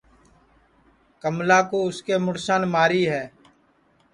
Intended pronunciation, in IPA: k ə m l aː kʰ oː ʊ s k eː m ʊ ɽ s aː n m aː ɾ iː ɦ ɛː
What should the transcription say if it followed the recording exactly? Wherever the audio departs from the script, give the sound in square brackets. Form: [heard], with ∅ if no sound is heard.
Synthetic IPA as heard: k ə m l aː [k] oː ʊ s k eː m ʊ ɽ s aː n m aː ɾ iː ɦ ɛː